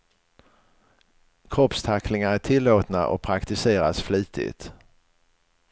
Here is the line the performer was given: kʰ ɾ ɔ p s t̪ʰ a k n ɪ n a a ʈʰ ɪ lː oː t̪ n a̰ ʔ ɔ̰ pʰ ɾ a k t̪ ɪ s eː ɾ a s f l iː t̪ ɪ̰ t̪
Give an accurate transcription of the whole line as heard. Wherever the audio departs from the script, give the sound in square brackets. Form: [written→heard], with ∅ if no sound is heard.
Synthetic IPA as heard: kʰ ɾ ɔ p s t̪ʰ a k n ɪ [n→ŋ] a [a→æ] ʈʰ ɪ lː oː t̪ n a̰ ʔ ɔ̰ pʰ ɾ a k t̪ ɪ s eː ɾ a s f l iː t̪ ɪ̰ t̪